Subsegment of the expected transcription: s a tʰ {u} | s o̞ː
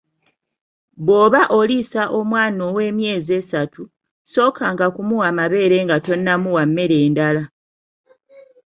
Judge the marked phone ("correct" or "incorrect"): correct